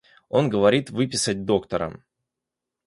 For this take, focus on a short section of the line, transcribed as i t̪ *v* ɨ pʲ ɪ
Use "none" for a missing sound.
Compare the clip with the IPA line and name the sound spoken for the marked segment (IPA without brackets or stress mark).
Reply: v